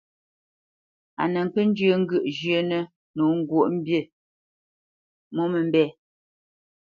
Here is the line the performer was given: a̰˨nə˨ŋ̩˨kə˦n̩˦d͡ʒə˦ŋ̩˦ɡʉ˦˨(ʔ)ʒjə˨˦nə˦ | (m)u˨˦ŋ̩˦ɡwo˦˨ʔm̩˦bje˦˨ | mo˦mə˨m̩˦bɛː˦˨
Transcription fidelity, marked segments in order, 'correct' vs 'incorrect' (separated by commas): correct, incorrect